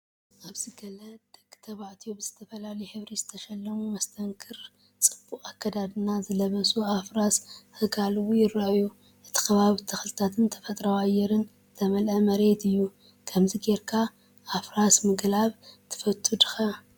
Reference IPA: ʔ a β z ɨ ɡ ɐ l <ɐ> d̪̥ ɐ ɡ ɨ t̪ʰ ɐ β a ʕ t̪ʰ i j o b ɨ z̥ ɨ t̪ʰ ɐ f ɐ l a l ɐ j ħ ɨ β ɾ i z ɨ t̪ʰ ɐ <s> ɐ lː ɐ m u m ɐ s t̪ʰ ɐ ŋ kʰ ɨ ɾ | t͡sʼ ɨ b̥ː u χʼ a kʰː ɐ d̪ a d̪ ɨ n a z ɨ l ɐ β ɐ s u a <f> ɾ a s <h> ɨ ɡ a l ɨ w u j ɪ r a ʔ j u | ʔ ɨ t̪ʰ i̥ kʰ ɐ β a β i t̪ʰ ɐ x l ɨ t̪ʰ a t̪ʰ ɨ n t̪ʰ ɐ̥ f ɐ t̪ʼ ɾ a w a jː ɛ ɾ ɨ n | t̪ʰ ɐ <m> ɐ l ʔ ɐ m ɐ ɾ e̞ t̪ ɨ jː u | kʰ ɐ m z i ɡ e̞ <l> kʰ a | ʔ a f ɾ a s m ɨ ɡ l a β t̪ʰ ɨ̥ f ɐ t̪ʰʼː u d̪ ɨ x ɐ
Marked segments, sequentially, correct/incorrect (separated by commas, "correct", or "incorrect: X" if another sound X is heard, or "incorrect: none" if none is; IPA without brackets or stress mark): correct, incorrect: ʃ, correct, correct, correct, incorrect: ɾ